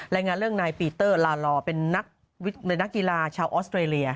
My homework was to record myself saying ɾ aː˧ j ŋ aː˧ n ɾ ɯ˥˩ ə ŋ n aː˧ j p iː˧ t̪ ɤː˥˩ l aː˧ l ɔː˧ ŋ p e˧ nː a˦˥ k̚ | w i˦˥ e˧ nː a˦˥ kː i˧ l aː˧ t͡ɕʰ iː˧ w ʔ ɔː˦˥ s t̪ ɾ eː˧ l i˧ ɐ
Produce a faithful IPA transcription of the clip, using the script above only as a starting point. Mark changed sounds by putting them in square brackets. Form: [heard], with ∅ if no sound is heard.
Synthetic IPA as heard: ɾ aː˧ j ŋ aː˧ n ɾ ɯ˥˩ ə ŋ n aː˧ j p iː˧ t̪ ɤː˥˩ l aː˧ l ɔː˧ [∅] p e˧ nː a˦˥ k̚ | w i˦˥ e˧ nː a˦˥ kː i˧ l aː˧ t͡ɕʰ [aː˧] w ʔ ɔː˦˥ s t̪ ɾ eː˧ l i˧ ɐ